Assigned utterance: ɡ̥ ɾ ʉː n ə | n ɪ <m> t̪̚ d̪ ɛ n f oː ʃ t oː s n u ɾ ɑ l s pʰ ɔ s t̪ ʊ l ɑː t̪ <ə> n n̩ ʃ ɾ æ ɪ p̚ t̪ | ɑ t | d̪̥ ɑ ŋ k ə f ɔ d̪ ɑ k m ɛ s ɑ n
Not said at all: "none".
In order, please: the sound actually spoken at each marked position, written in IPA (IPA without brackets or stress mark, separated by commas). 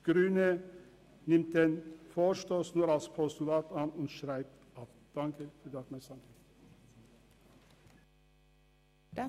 m, ɑ